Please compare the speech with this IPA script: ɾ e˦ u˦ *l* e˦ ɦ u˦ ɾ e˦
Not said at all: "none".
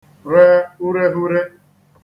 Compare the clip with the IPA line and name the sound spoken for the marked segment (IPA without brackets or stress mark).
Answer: ɾ